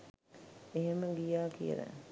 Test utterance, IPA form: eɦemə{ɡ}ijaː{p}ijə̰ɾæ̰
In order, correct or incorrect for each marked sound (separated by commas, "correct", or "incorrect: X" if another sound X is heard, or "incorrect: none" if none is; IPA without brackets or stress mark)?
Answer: correct, incorrect: k